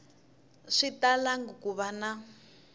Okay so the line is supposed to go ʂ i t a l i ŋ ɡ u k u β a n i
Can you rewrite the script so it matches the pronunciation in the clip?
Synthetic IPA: ʂ i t a l a ŋ ɡ u k u β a n a